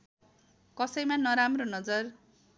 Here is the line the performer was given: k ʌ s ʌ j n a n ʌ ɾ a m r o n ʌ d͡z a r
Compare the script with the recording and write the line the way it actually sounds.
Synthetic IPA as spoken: k ʌ s ʌ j m a n ʌ ɾ a m r o n ʌ d͡z ʌ r